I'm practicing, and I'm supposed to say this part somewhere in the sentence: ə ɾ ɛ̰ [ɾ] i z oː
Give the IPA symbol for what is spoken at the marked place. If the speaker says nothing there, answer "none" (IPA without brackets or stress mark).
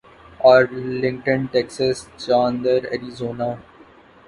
ɾ